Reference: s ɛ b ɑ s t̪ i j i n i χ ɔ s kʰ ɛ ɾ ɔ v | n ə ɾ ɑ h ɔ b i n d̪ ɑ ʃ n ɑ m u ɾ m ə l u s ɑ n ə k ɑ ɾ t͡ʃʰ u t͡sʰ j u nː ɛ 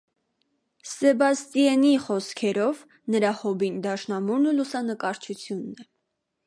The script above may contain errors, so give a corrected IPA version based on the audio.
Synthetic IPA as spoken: s ɛ b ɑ s t̪ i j ɛ n i χ ɔ s kʰ ɛ ɾ ɔ v | n ə ɾ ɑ h ɔ b i n d̪ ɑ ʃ n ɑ m u ɾ n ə l u s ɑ n ə k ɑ ɾ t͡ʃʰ u t͡sʰ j u nː ɛ